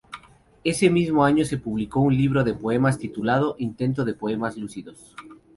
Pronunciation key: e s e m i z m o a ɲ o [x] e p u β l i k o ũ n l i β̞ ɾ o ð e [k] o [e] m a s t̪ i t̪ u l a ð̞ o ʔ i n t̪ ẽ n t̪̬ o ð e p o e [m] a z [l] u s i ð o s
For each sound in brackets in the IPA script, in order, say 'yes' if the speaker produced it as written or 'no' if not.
no, no, yes, yes, yes

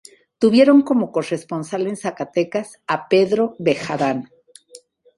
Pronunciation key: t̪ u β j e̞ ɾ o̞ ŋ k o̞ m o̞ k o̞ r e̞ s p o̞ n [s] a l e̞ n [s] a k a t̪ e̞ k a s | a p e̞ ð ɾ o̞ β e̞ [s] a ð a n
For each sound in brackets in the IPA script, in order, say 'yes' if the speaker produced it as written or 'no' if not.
yes, yes, no

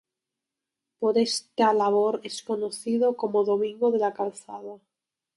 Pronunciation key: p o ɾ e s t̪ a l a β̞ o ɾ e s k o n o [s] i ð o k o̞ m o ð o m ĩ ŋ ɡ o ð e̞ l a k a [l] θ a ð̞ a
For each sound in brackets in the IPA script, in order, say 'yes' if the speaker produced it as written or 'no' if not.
no, yes

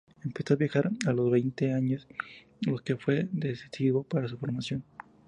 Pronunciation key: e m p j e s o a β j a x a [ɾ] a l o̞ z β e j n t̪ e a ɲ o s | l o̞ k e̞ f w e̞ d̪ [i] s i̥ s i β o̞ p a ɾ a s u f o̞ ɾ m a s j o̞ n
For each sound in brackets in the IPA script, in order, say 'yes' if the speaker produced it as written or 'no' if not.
yes, no

